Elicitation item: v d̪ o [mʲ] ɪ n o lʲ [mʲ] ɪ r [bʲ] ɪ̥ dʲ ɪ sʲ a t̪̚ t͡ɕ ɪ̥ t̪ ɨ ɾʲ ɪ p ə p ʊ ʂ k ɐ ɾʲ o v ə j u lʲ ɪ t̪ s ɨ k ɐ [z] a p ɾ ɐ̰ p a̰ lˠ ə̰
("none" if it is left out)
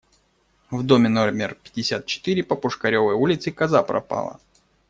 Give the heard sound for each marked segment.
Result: mʲ, mʲ, pʲ, z

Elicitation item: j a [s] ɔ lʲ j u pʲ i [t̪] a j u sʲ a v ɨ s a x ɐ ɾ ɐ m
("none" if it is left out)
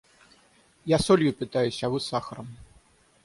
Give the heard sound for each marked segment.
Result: s, t̪

